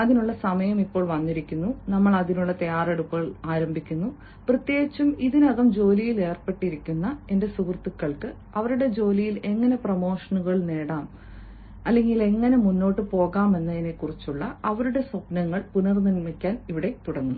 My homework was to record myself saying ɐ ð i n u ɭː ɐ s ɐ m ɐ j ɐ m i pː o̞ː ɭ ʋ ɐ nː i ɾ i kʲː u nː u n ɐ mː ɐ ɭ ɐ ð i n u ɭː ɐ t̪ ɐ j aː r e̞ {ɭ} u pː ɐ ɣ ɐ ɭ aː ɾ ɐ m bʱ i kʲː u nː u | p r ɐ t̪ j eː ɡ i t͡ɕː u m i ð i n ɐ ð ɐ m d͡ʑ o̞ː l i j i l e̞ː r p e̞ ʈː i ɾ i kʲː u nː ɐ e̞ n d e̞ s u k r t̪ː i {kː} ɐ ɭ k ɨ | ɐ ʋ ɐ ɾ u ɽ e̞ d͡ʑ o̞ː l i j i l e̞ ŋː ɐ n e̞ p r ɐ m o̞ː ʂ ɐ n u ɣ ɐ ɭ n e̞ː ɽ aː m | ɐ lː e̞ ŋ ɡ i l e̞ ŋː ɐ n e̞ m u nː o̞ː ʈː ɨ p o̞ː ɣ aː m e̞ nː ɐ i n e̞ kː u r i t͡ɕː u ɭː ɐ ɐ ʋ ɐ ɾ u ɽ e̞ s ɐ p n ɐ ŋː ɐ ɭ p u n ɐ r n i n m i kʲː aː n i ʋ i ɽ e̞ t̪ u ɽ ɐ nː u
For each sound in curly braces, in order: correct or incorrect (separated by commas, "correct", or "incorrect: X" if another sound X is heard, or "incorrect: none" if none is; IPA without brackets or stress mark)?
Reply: incorrect: ɽ, correct